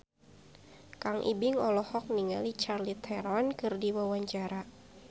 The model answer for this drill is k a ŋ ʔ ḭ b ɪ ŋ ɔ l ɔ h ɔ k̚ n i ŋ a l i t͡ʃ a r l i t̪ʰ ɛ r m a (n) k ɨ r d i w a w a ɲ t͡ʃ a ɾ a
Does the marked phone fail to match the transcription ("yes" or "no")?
no